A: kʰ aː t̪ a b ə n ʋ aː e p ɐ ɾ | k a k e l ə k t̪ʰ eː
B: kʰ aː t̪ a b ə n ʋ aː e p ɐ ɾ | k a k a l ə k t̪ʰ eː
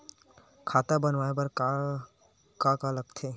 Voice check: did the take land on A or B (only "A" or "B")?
B